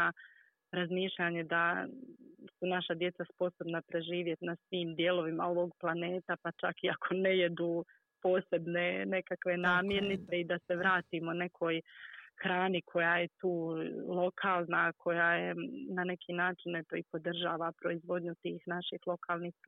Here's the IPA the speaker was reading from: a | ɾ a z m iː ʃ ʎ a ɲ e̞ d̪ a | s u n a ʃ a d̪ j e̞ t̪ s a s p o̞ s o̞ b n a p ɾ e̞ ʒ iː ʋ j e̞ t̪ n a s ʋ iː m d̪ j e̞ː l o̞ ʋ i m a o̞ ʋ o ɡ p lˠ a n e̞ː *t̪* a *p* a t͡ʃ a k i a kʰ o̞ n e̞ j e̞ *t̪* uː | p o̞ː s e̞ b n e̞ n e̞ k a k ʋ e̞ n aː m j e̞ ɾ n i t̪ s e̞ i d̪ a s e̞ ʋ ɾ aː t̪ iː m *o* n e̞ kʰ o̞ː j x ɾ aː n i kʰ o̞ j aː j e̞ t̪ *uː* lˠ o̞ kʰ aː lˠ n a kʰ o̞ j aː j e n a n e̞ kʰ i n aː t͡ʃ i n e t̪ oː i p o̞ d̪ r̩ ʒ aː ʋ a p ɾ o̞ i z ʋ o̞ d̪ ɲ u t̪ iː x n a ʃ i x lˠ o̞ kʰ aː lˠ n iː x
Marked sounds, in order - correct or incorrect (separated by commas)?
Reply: correct, correct, incorrect, correct, correct